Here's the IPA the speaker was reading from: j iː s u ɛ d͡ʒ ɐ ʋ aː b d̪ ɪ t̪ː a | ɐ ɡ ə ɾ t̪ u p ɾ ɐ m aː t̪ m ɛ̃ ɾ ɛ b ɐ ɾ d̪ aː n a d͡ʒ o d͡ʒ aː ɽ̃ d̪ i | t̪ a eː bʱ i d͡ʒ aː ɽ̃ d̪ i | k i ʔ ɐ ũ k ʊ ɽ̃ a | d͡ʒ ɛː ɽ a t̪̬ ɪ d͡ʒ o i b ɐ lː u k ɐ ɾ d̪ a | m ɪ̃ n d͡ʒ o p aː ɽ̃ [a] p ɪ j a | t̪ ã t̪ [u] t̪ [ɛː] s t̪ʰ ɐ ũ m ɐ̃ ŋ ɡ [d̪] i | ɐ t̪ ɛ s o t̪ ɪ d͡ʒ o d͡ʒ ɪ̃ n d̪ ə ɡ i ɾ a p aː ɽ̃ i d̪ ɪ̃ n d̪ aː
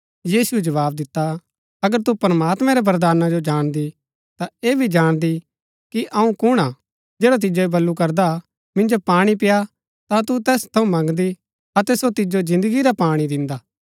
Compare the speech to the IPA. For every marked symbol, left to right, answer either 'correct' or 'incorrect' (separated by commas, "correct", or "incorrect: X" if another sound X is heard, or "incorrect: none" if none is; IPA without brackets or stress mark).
incorrect: i, correct, correct, correct